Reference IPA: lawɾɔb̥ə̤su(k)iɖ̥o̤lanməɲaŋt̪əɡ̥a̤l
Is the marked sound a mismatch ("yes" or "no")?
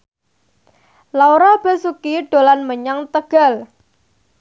no